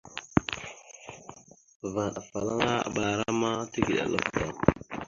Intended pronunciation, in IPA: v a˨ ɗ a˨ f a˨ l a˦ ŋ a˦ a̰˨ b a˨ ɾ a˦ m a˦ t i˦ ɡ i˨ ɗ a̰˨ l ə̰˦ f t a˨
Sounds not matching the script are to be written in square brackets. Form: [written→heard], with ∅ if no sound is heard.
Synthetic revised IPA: v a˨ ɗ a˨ f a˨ l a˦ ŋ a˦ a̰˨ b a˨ ɾ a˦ m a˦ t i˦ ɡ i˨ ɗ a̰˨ l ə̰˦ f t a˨